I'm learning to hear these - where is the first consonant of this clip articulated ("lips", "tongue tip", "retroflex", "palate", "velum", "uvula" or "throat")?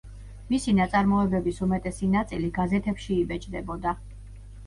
lips